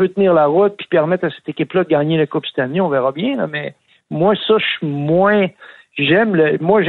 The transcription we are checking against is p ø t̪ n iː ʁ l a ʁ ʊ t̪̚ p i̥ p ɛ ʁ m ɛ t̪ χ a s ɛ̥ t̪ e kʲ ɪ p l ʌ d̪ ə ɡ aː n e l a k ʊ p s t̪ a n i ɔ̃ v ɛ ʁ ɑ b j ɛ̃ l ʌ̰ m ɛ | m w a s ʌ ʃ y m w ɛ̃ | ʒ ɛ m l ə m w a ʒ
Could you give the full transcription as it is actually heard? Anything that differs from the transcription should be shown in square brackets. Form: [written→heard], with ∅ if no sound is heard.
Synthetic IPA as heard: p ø t̪ n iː ʁ l a ʁ ʊ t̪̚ p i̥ p ɛ ʁ m ɛ t̪ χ a s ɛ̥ t̪ e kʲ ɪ p l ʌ d̪ ə ɡ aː [n→ɲ] e l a k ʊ p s t̪ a n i ɔ̃ v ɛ ʁ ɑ b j ɛ̃ l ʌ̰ m ɛ | m w a s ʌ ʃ y m w ɛ̃ | ʒ ɛ m l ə m w a ʒ